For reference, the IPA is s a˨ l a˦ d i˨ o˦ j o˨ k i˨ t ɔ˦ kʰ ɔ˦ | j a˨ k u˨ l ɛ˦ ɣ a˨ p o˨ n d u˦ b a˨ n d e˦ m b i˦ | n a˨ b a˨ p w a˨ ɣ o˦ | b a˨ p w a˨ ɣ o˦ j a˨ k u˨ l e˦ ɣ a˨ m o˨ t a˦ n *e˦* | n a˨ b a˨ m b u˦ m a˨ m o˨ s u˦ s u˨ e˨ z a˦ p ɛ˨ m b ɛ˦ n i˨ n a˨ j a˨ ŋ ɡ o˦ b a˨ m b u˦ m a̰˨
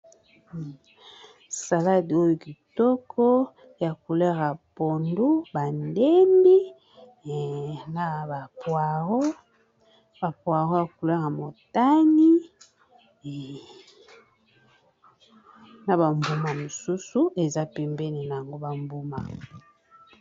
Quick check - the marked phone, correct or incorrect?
incorrect